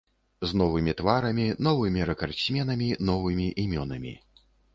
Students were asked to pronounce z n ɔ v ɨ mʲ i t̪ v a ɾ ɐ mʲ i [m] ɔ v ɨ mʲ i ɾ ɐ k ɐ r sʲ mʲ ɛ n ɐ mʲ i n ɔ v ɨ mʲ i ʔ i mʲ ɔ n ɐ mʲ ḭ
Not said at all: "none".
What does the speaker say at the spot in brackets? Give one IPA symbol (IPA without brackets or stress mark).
n